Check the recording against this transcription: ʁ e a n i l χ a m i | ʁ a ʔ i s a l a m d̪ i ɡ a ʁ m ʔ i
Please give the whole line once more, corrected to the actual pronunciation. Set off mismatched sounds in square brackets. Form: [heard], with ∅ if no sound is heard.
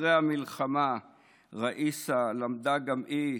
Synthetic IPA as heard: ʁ e a [m] i l χ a m [a] | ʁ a ʔ i s a l a m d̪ [a] ɡ a [∅] m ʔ i